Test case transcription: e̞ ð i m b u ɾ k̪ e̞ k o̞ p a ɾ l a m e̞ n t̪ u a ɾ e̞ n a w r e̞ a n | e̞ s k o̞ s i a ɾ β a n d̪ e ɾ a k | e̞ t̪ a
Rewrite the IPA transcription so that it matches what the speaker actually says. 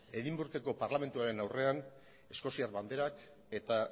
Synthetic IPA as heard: e̞ ð i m b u ɾ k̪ e̞ k o̞ p a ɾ l a m e̞ n t̪ u a ɾ e̞ n a w r e̞ a n | e̞ s k o̞ s i a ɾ β a n d̪ e ɾ a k | e̞ t̪ a